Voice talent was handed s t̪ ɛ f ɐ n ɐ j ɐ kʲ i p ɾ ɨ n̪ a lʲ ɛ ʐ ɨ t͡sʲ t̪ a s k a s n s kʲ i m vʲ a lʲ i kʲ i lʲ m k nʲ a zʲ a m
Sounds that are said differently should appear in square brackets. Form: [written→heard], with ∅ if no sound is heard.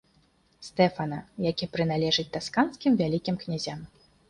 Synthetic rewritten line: s t̪ ɛ f ɐ n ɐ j [ɐ→a] kʲ i p ɾ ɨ n̪ a lʲ ɛ ʐ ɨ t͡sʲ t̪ a s k a [s→∅] n s kʲ i m vʲ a lʲ i kʲ i [lʲ→∅] m k nʲ a zʲ a m